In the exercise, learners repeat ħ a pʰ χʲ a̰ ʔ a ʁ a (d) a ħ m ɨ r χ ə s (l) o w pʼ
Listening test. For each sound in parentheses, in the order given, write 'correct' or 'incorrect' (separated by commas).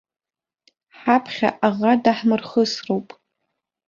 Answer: correct, incorrect